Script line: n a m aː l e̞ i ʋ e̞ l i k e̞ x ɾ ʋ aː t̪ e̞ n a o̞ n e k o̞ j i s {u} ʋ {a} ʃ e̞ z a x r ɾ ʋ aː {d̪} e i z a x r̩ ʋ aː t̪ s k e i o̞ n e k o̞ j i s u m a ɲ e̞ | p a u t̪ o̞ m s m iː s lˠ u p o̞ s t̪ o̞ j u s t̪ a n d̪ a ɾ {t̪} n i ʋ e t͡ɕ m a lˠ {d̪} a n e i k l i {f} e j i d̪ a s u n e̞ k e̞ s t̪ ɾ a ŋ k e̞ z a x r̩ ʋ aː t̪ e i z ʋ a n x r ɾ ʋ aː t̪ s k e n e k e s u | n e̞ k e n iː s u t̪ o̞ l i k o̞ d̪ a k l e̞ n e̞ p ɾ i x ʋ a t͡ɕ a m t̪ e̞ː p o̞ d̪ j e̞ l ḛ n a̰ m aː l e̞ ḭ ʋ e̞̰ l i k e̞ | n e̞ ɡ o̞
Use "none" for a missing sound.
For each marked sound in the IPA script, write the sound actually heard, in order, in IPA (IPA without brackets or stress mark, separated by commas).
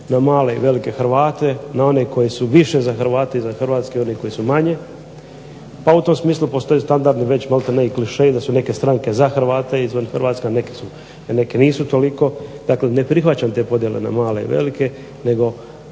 u, i, t̪, d̪, t̪, ʃ